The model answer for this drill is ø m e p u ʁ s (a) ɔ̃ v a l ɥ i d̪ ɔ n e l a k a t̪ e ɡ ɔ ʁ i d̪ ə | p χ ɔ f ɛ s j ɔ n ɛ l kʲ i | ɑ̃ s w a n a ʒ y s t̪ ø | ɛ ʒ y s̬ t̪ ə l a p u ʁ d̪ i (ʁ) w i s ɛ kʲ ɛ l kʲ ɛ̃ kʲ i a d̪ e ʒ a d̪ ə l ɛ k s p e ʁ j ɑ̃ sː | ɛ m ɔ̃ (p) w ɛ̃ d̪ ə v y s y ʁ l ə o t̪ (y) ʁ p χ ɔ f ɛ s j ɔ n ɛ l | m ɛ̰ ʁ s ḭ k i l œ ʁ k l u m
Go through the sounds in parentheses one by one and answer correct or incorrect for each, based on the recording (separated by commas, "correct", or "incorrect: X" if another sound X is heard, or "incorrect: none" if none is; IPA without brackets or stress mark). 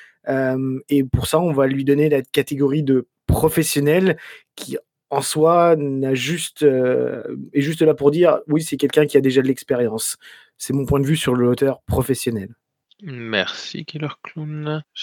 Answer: correct, correct, correct, incorrect: œ